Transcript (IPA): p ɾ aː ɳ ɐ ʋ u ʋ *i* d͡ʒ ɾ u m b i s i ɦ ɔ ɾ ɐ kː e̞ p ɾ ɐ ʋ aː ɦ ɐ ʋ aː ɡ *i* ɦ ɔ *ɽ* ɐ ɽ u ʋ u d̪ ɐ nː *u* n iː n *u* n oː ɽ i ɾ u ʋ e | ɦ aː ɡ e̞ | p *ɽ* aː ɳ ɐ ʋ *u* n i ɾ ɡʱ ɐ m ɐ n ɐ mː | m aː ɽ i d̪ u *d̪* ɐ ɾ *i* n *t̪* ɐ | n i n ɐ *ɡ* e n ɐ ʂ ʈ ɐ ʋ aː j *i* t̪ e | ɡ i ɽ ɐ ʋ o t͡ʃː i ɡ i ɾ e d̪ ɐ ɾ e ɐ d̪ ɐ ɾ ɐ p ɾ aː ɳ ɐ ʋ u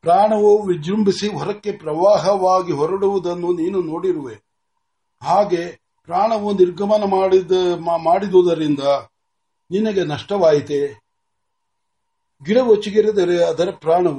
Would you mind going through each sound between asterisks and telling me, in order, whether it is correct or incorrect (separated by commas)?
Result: correct, correct, incorrect, correct, correct, incorrect, correct, correct, correct, incorrect, correct, correct